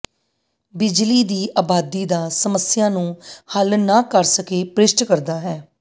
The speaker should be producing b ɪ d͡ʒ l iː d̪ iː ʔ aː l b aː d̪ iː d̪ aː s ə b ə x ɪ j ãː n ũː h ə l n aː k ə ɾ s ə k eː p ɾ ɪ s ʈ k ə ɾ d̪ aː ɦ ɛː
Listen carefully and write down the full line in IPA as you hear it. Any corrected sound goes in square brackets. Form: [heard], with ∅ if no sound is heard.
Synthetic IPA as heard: b ɪ d͡ʒ l iː d̪ iː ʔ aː [∅] b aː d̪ iː d̪ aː s ə [m] ə [s] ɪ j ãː n ũː h ə l n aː k ə ɾ s ə k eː p ɾ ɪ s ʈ k ə ɾ d̪ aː ɦ ɛː